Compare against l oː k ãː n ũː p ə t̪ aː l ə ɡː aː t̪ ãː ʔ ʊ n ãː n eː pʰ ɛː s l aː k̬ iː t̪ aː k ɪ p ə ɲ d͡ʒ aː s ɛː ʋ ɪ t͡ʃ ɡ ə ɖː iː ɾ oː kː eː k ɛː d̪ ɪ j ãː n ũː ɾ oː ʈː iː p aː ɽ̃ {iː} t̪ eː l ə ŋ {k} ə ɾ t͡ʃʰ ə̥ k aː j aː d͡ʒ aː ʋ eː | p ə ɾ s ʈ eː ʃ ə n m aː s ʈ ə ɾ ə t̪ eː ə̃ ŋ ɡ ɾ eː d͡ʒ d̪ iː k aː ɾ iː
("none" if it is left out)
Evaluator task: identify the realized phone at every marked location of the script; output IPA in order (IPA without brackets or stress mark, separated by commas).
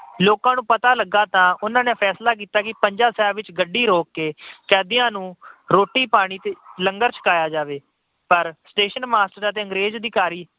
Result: iː, ɡ